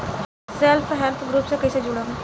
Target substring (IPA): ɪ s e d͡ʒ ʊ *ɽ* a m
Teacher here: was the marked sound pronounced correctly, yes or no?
yes